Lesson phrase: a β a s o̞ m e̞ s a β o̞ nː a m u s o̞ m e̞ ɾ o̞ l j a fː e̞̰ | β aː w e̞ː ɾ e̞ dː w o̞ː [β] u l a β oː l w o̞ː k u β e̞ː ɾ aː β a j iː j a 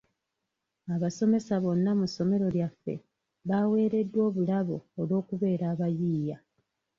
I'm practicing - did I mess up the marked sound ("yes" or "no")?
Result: no